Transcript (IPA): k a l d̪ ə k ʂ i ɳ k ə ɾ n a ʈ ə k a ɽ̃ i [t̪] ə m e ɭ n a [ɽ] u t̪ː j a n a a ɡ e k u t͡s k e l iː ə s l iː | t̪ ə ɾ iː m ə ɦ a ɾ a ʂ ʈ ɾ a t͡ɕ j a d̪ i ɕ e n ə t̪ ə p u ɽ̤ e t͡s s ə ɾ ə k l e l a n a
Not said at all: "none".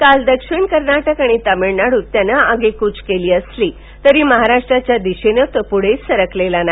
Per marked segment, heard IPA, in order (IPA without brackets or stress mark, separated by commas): t̪, ɽ